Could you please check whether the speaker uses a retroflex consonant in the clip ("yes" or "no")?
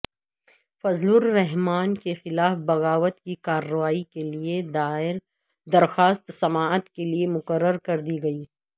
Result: no